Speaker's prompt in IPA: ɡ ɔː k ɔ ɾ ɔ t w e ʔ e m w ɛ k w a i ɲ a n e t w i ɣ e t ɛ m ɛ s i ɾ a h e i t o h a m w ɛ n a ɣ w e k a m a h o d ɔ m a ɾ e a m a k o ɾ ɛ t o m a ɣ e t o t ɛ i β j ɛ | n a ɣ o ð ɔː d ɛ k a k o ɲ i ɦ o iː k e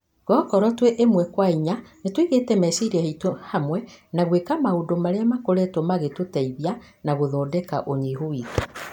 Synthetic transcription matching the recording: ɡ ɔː k ɔ ɾ ɔ t w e ʔ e m w ɛ k w a i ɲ a n e t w i ɣ e t ɛ m ɛ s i ɾ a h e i t o h a m w ɛ n a ɣ w e k a m a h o d o m a ɾ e a m a k o ɾ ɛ t o m a ɣ e t o t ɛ i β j a | n a ɣ o ð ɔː d ɛ k a ʔ o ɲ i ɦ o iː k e